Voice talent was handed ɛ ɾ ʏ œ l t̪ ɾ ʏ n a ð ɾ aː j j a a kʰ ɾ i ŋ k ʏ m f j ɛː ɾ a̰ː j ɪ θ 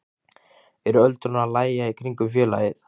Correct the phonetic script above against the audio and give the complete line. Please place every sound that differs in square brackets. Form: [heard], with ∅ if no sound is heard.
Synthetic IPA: ɛ ɾ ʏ œ l t̪ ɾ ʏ n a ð [l] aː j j a [i] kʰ ɾ i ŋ k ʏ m f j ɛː [l] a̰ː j ɪ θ